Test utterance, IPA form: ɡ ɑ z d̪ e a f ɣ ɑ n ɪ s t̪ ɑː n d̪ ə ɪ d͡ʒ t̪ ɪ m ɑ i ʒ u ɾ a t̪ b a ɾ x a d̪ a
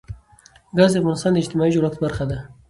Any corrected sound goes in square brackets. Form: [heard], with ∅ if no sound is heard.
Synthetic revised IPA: ɡ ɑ z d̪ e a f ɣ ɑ n ɪ s t̪ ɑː n d̪ ə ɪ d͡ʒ t̪ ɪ m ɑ i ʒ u ɾ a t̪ b a ɾ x a d̪ a